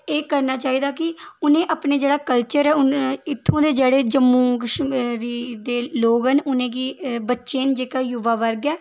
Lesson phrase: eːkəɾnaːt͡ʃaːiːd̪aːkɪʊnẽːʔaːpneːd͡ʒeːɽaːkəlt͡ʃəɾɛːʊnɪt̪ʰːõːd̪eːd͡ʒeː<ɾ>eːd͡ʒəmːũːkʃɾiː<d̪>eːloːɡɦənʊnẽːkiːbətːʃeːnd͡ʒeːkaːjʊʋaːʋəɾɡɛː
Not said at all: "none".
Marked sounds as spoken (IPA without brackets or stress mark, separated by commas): ɽ, d̪